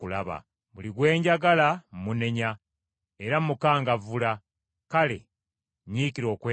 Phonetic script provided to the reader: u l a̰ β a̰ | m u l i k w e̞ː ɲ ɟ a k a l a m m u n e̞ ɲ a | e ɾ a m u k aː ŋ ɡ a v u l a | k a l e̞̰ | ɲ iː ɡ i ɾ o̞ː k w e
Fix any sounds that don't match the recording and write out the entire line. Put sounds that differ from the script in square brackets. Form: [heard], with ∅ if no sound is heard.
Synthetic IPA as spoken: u l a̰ β a̰ | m u l i [ɡ] w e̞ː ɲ ɟ a [ɡ] a l a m m u n e̞ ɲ a | e ɾ a m u k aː ŋ ɡ a v u l a | k a l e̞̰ | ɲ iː [k] i ɾ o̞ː k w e